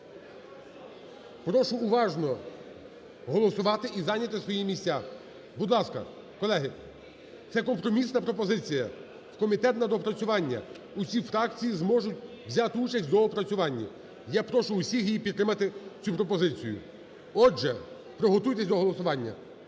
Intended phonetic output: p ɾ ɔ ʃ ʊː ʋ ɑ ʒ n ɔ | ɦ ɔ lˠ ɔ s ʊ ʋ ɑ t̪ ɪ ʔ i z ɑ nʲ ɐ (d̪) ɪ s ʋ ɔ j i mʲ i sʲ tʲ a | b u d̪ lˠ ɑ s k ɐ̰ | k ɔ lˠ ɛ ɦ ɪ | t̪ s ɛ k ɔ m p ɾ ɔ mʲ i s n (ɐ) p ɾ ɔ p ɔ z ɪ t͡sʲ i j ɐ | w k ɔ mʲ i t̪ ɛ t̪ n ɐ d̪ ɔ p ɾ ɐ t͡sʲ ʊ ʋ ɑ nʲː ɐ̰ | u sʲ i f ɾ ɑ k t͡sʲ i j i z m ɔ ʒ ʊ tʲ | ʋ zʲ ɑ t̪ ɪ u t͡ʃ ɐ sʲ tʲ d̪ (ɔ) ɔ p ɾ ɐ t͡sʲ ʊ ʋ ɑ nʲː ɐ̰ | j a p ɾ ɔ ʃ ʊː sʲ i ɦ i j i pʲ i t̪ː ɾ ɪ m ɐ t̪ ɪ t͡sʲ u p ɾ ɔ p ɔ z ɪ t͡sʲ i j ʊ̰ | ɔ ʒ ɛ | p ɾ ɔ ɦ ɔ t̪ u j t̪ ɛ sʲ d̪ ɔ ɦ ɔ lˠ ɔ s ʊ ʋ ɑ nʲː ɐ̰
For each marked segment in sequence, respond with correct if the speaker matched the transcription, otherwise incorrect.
incorrect: t̪, correct, correct

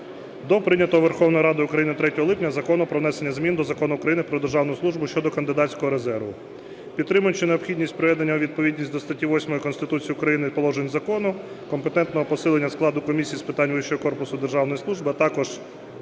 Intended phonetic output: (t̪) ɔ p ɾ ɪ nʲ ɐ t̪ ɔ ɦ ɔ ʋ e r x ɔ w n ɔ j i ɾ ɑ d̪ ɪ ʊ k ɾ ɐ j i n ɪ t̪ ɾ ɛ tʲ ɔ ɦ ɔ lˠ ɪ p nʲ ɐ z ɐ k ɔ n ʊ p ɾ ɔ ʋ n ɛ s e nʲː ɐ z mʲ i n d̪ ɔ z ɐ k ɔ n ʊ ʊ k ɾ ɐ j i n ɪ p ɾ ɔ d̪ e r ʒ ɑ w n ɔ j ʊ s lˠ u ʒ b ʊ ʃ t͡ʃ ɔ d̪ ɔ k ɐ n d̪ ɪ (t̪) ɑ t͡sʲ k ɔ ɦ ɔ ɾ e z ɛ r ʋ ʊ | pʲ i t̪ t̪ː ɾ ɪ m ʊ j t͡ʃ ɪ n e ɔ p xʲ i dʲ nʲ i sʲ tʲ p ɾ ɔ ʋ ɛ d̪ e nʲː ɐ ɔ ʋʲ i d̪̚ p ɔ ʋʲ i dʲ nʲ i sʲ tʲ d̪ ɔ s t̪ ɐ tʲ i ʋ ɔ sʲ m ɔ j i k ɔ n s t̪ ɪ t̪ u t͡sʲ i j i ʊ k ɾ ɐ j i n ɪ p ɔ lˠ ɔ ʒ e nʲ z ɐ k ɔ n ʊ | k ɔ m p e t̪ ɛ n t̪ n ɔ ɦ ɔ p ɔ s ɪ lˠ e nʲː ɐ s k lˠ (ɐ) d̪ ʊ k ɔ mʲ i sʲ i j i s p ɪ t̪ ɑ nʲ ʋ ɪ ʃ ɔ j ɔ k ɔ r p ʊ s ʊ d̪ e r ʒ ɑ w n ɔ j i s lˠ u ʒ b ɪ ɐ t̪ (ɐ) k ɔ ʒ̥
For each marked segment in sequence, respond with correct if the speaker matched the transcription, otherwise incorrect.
incorrect: d̪, incorrect: d̪, incorrect: ɑ, incorrect: ɑ

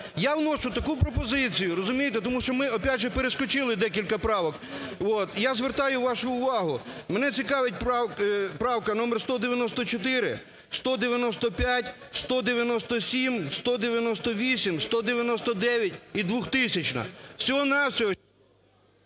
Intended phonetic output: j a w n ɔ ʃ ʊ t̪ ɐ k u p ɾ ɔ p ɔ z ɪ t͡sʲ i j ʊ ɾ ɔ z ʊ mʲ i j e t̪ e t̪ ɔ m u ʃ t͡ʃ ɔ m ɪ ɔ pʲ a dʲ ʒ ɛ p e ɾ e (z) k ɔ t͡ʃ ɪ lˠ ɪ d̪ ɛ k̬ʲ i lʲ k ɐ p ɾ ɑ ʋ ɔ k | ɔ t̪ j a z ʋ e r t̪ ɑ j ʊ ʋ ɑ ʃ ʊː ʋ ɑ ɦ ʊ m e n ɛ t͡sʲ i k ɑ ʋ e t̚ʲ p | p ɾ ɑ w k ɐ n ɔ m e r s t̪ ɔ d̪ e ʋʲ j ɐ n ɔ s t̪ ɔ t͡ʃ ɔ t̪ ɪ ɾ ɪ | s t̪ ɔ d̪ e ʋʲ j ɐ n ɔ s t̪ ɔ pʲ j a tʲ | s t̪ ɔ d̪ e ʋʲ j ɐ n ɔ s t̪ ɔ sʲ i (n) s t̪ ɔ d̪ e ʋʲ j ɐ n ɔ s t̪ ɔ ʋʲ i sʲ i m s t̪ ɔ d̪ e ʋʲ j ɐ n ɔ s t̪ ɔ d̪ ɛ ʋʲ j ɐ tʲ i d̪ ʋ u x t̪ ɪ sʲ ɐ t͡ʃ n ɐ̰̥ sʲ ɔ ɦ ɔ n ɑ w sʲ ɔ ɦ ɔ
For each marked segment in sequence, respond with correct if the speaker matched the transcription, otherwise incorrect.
incorrect: s, incorrect: m

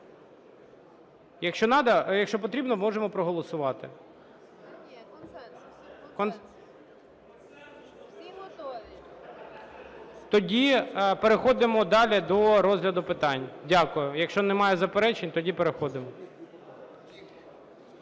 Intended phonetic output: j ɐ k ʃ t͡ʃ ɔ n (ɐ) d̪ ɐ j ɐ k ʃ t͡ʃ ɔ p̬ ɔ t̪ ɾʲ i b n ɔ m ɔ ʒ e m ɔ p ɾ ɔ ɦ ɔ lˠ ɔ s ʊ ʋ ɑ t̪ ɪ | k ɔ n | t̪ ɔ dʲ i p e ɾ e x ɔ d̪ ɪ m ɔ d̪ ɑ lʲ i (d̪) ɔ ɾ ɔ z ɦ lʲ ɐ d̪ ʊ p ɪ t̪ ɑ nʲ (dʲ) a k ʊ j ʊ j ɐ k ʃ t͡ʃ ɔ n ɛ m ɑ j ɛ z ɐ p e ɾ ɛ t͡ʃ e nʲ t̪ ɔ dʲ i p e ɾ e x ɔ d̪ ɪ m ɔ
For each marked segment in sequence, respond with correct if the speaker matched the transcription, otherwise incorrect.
incorrect: ɑ, correct, correct

